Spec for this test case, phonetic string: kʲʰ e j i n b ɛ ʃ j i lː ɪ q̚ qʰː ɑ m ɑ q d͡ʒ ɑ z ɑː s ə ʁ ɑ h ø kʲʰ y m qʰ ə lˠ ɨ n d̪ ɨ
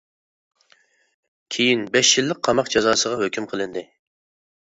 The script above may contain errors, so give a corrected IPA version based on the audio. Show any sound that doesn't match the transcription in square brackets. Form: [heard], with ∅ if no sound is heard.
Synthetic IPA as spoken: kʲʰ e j i n b ɛ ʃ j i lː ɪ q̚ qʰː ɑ m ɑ q d͡ʒ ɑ z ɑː s ə ʁ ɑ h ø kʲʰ y m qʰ ə lˠ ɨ n d̪ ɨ